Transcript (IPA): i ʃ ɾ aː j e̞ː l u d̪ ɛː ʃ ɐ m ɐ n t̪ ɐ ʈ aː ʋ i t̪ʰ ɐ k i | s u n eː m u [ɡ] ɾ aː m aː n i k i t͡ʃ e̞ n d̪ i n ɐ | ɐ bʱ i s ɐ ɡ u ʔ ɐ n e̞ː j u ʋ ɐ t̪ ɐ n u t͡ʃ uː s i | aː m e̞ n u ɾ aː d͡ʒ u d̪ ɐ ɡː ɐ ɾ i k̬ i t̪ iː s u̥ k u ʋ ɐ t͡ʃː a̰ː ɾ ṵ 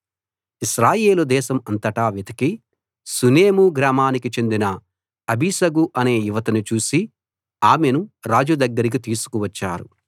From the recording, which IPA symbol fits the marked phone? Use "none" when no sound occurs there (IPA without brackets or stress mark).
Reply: ɡ